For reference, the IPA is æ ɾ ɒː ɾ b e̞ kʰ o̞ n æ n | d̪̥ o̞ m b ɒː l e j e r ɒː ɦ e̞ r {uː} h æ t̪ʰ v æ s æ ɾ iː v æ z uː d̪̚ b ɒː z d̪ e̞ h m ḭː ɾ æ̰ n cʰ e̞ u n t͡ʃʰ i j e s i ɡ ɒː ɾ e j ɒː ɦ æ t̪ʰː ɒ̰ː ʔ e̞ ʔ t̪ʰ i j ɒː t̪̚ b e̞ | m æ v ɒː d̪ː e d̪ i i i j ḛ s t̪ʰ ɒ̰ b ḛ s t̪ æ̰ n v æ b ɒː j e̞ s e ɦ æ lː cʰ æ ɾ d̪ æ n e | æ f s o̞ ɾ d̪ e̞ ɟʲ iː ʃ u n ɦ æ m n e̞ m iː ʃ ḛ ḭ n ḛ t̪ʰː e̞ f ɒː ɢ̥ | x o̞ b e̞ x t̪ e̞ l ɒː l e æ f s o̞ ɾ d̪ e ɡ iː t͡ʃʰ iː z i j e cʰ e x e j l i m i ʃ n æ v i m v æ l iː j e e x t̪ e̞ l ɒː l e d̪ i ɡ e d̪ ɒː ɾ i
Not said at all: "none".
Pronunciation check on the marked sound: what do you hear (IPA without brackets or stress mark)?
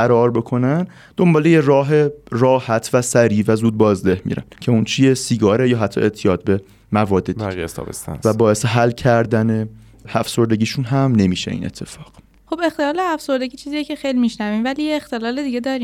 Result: ɒː